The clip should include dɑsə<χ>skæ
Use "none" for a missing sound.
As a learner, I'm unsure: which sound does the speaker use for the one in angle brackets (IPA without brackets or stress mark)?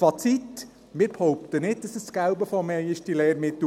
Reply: s